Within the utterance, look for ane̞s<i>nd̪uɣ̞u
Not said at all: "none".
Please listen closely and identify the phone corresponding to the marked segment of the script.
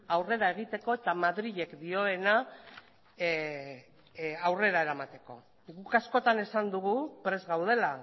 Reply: a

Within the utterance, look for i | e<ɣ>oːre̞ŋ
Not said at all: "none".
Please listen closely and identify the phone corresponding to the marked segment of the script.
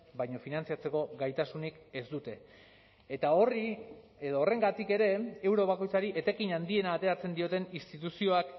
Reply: ð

